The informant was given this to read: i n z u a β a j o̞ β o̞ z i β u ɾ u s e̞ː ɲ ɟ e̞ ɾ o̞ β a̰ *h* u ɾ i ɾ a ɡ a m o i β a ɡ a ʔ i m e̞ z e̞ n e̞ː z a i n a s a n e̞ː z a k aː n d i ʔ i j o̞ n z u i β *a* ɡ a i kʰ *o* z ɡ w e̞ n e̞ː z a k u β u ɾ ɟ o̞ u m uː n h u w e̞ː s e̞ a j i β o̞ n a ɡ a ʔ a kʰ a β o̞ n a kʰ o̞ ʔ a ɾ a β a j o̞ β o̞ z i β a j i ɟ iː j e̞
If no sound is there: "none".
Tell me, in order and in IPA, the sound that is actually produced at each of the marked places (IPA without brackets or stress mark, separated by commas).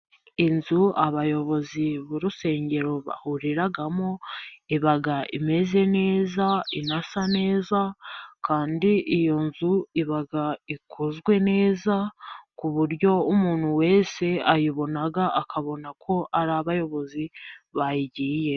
h, a, o